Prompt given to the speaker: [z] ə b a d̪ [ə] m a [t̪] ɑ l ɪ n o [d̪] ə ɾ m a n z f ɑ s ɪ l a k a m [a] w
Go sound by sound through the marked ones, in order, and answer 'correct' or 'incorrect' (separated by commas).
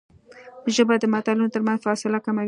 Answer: incorrect, correct, correct, incorrect, correct